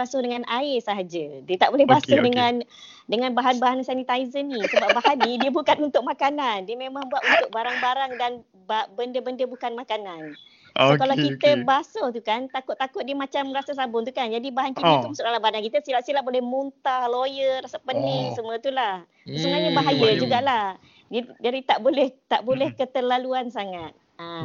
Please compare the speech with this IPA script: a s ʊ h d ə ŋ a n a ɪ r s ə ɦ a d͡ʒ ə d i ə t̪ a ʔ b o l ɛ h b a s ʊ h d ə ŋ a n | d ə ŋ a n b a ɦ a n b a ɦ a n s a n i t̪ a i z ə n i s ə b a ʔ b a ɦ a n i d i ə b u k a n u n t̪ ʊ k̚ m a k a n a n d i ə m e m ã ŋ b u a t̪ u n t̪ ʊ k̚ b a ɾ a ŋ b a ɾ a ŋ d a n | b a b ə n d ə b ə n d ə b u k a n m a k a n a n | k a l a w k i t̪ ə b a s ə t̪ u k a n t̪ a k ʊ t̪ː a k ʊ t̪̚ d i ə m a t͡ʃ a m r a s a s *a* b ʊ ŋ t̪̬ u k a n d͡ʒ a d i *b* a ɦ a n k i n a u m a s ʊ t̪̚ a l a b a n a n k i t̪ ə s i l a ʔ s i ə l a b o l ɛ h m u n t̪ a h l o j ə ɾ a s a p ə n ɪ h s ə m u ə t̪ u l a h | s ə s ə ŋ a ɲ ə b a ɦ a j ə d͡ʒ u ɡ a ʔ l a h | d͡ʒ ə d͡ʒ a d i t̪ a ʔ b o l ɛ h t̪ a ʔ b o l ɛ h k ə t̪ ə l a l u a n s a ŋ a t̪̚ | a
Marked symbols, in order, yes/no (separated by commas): yes, yes